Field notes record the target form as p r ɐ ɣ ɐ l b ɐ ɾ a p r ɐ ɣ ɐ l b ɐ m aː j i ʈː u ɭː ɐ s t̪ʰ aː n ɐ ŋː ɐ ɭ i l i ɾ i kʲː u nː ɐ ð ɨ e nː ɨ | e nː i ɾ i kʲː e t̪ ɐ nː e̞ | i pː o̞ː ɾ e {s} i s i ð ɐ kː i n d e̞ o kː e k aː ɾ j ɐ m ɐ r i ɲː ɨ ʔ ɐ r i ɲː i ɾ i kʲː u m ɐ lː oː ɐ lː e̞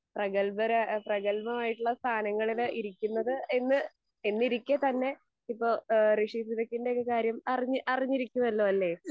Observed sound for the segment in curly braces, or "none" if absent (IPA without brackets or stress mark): ʂ